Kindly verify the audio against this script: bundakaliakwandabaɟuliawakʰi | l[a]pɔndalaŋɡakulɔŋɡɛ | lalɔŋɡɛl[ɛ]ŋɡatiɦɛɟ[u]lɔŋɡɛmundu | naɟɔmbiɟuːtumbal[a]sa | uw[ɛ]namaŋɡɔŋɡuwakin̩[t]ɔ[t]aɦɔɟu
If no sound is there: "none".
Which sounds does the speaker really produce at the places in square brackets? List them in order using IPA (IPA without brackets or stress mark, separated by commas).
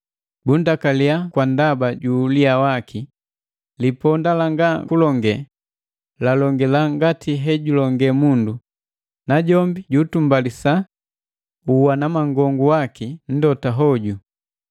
i, a, u, i, a, d, t